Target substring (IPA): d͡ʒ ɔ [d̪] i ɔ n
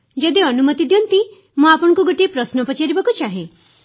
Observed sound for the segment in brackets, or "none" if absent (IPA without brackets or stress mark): d̪